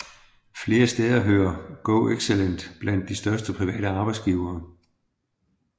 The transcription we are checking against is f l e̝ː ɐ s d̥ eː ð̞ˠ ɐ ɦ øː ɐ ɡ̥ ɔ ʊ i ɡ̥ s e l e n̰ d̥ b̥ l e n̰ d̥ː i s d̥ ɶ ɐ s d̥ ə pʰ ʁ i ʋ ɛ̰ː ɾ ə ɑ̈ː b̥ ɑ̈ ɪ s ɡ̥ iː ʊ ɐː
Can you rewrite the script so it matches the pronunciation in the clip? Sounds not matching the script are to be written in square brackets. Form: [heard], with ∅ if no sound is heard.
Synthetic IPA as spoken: f l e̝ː ɐ s d̥ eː ð̞ˠ ɐ ɦ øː ɐ ɡ̥ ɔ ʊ [e] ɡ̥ s e l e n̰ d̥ b̥ l [æ] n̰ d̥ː i s d̥ ɶ ɐ s d̥ ə pʰ ʁ i ʋ ɛ̰ː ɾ ə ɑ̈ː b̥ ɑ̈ ɪ s ɡ̥ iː ʊ ɐː